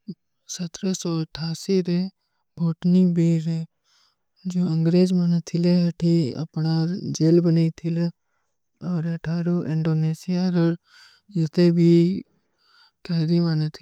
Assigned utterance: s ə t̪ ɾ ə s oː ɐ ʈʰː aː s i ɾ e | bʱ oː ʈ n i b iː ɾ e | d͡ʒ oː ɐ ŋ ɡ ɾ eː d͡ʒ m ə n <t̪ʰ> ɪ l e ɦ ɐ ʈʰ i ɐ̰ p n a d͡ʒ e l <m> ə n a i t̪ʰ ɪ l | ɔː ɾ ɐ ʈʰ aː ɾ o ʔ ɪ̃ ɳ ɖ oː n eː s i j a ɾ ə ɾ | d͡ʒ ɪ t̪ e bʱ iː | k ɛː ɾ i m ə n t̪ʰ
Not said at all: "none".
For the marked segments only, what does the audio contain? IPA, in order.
t̪ʰ, b

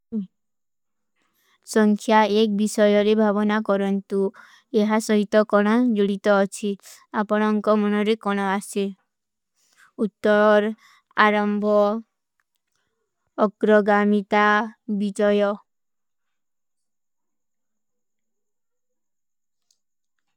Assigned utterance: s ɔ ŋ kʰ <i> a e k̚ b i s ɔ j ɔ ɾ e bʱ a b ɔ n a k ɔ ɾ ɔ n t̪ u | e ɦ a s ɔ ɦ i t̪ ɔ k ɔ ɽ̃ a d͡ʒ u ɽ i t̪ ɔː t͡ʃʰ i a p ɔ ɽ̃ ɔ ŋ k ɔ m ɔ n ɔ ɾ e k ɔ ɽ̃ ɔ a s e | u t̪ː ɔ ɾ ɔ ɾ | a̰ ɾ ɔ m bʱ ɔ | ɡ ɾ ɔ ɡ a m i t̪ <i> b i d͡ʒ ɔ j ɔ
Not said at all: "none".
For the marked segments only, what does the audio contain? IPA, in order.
j, a

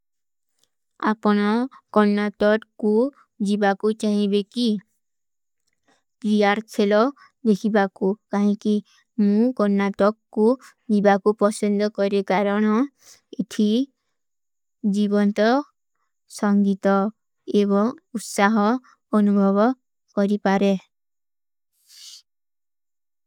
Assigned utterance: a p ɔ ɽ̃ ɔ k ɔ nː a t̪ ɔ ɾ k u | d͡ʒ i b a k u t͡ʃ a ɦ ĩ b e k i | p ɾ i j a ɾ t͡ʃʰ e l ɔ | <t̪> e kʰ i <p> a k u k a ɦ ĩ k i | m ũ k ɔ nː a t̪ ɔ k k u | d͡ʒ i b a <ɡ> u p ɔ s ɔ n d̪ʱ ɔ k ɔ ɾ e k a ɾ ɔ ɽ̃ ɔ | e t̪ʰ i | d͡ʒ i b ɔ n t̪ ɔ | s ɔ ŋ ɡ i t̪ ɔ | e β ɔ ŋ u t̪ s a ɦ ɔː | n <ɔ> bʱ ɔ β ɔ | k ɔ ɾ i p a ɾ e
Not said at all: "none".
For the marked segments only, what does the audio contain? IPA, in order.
d̪, b, k, u

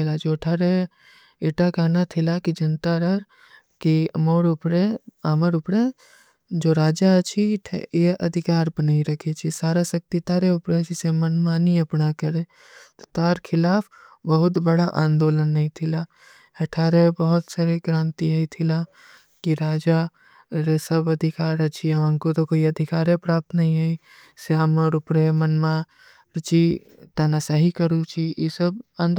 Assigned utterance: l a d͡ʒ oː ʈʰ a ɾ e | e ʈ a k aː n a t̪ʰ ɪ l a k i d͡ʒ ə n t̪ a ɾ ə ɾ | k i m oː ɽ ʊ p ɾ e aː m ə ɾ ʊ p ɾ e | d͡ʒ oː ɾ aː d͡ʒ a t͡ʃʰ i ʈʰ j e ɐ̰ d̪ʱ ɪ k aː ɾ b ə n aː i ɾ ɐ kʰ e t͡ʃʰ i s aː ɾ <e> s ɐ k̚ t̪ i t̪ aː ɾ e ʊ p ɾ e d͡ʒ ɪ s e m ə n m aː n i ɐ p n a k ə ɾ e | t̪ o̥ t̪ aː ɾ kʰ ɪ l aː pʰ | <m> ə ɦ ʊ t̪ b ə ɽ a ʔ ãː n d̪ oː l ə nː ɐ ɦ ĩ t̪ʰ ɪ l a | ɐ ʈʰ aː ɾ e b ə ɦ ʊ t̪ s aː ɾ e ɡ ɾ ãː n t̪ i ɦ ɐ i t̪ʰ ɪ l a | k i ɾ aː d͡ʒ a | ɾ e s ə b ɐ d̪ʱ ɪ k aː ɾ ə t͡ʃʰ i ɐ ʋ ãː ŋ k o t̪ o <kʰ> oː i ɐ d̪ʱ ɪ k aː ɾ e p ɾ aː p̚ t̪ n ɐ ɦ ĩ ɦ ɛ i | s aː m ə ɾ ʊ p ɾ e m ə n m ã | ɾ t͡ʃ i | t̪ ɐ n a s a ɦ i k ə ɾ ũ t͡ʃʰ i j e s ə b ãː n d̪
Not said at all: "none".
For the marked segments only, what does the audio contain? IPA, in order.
a, b, k

